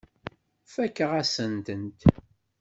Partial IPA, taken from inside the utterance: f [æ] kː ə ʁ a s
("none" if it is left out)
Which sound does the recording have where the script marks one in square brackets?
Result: æ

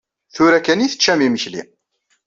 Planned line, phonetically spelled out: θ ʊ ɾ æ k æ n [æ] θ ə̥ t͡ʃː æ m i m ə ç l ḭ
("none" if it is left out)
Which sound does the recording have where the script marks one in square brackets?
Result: i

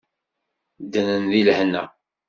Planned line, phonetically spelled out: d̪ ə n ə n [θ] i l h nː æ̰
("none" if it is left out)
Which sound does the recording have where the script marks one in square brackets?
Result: ð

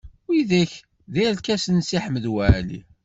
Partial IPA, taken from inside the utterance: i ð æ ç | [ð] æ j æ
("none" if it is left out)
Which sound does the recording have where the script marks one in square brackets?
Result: ð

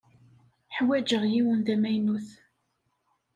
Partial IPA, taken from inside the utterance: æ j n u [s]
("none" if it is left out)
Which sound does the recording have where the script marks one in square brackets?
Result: θ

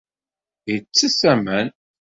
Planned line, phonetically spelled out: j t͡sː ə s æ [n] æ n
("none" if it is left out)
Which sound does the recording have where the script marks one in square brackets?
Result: m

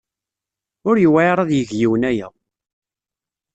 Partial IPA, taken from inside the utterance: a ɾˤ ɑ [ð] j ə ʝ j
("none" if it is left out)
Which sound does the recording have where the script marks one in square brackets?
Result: ð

